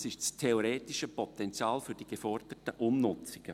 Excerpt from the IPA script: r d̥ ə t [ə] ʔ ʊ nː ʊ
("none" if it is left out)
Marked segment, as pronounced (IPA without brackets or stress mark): ə